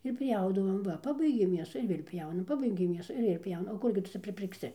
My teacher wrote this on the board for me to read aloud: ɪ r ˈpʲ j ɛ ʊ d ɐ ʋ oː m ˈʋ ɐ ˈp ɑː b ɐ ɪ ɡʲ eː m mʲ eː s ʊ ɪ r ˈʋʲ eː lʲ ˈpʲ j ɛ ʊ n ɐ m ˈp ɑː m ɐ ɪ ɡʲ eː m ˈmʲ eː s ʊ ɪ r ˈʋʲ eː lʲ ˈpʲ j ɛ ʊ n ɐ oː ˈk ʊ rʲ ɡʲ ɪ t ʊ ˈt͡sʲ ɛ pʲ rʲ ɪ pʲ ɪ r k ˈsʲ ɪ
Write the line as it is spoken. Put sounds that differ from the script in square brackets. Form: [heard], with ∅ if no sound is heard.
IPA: ɪ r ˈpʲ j ɛ ʊ d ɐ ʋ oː m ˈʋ ɐ ˈp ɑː b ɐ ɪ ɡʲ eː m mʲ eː s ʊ ɪ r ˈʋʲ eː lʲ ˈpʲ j ɛ ʊ n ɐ m ˈp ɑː [b] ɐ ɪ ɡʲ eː m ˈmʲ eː s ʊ ɪ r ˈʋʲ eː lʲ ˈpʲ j ɛ ʊ n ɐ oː ˈk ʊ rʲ ɡʲ ɪ t ʊ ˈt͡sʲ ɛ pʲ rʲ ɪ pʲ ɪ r k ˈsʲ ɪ